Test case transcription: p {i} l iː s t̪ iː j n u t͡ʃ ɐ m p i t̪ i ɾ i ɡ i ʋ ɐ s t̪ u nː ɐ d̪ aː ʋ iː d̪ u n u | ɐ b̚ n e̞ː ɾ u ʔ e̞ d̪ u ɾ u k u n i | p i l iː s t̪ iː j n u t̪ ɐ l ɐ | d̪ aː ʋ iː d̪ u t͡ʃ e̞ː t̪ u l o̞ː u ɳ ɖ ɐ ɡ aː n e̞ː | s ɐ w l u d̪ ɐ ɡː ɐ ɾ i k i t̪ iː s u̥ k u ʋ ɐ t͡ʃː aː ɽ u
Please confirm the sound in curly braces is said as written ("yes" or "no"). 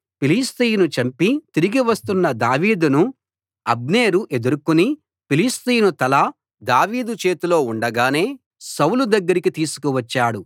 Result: yes